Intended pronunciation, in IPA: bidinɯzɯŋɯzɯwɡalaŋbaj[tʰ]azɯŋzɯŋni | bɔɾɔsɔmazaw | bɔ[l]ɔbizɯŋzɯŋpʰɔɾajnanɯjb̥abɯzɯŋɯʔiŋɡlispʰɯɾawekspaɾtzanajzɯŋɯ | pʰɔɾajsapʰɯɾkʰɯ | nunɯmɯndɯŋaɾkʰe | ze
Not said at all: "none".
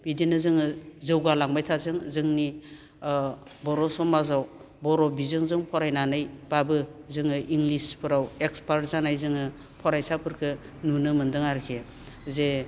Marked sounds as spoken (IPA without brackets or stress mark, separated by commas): tʰ, ɾ